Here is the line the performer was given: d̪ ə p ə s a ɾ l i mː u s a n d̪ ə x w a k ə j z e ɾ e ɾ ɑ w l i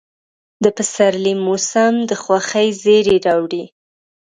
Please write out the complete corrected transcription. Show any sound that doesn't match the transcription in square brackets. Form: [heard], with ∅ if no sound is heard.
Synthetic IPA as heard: d̪ ə p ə s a ɾ l i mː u s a [m] d̪ ə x w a [x] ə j z e ɾ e ɾ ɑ w [ɽ] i